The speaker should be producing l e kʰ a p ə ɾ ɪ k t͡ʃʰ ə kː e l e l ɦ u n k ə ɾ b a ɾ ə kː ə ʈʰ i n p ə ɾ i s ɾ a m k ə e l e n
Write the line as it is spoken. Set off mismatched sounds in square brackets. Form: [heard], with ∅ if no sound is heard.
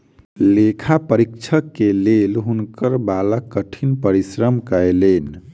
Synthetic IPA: l e kʰ a p ə ɾ [i] k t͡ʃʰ ə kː e l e l ɦ u n k ə ɾ b a [l] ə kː ə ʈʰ i n p ə ɾ i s ɾ [ə] m k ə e l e n